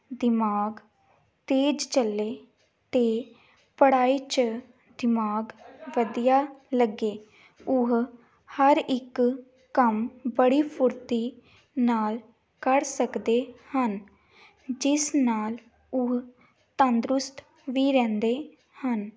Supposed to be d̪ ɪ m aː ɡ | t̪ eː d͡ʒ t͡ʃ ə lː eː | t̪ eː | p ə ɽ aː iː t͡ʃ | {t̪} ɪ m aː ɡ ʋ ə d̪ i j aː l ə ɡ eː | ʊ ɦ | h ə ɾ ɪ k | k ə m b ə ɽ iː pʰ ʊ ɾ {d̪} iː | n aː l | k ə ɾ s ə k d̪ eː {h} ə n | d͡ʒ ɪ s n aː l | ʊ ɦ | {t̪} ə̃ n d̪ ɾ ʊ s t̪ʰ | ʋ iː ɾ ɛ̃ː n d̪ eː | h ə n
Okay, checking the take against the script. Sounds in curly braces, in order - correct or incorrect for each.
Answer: incorrect: d̪, incorrect: t̪, correct, correct

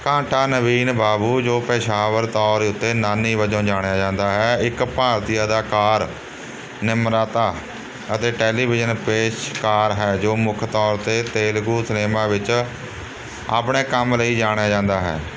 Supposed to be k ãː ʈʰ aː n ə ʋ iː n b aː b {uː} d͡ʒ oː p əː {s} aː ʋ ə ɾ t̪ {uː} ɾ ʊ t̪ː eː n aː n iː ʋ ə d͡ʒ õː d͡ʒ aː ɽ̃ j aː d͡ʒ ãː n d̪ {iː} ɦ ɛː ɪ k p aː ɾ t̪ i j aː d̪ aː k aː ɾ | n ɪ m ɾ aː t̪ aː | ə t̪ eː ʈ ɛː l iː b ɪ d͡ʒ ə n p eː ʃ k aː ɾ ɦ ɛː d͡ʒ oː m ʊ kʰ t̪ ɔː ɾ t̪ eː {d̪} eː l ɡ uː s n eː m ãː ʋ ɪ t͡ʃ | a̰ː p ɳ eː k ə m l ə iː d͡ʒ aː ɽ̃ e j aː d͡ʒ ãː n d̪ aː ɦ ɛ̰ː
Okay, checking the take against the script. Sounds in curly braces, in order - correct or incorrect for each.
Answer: correct, incorrect: ʃ, incorrect: ɔː, incorrect: aː, incorrect: t̪

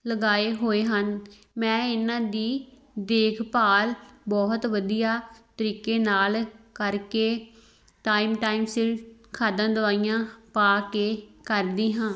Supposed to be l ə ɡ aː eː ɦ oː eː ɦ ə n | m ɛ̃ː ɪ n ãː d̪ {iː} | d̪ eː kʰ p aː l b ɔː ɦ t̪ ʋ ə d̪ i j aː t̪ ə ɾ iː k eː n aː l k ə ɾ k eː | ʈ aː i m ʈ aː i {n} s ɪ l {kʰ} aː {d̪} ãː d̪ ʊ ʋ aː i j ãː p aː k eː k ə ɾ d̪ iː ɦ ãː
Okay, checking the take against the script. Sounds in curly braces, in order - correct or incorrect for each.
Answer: correct, incorrect: m, correct, correct

